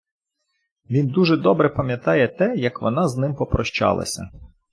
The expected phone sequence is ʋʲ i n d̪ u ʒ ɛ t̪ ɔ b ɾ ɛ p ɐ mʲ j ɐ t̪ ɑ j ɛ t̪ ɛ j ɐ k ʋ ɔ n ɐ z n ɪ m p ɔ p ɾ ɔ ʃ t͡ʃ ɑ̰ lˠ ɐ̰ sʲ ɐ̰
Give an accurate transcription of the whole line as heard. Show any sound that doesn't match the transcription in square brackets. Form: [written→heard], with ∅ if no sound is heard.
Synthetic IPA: ʋʲ i n d̪ u ʒ ɛ [t̪→d̪] ɔ b ɾ ɛ p ɐ mʲ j ɐ t̪ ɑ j ɛ t̪ ɛ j ɐ k ʋ ɔ n [ɐ→ɑ] z n ɪ m p ɔ p ɾ ɔ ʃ t͡ʃ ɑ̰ lˠ ɐ̰ sʲ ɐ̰